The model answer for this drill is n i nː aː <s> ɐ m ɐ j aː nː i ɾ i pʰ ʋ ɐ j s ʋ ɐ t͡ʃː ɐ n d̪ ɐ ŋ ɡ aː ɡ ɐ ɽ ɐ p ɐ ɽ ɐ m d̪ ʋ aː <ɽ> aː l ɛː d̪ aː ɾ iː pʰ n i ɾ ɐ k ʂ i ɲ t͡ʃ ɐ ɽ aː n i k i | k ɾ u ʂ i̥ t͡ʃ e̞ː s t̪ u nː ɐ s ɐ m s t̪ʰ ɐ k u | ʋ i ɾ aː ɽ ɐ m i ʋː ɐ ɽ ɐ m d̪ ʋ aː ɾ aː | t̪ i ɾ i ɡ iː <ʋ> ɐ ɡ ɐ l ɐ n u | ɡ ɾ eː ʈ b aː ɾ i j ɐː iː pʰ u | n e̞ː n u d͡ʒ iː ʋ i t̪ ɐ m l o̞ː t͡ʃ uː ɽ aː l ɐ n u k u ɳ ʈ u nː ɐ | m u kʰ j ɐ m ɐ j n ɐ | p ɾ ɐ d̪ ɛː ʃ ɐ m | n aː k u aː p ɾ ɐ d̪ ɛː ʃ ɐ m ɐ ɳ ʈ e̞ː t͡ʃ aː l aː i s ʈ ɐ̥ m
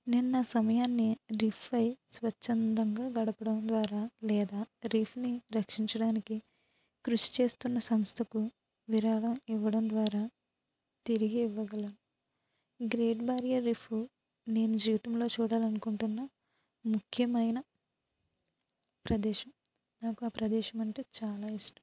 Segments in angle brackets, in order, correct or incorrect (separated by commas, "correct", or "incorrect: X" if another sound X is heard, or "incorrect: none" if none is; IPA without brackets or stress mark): correct, incorrect: ɾ, incorrect: ʋː